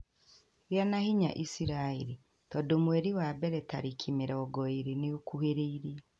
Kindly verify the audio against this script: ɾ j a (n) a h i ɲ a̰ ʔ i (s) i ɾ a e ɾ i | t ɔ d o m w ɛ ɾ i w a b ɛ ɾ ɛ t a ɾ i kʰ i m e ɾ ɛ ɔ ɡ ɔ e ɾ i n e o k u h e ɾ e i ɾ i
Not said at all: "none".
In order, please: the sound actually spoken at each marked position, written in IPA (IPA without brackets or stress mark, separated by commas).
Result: n, s